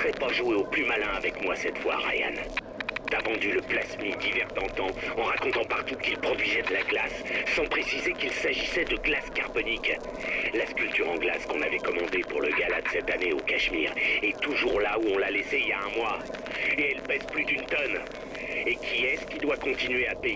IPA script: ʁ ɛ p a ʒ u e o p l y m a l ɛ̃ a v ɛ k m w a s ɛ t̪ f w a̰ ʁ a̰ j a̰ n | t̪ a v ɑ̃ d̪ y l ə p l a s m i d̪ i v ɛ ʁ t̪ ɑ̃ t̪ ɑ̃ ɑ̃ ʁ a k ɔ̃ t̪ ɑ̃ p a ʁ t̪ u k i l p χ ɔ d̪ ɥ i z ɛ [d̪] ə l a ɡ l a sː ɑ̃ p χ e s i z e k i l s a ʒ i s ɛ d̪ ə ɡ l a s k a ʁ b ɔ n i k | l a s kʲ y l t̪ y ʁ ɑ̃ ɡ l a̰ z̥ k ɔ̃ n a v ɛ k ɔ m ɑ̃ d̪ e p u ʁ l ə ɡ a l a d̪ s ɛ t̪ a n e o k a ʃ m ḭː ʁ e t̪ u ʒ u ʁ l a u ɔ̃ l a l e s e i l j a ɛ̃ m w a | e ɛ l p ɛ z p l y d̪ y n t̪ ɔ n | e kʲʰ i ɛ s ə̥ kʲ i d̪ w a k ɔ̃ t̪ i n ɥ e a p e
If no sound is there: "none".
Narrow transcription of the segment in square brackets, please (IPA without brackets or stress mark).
d̪